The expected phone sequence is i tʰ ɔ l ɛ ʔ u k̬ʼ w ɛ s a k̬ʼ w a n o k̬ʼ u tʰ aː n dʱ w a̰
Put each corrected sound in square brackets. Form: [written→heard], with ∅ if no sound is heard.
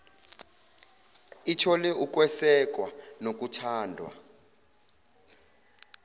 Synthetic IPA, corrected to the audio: i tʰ ɔ l ɛ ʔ u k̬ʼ w ɛ s [a→ɛ] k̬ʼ w a n o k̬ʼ u tʰ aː n dʱ w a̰